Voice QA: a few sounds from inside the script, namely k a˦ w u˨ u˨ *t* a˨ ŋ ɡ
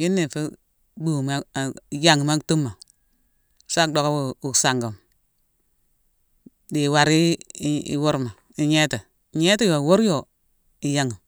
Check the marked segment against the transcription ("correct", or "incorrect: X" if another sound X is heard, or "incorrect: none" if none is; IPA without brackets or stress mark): incorrect: s